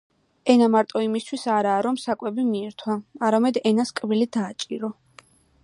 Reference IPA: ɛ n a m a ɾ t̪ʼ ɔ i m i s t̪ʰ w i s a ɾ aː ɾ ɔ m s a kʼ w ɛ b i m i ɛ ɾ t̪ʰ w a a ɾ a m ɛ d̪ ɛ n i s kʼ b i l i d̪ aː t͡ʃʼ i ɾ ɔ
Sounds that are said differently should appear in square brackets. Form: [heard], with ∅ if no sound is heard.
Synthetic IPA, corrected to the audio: ɛ n a m a ɾ t̪ʼ ɔ i m i s t̪ʰ w i s a ɾ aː ɾ ɔ m s a kʼ w ɛ b i m i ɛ ɾ t̪ʰ w a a ɾ a m ɛ d̪ ɛ n [a] s kʼ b i l i d̪ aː t͡ʃʼ i ɾ ɔ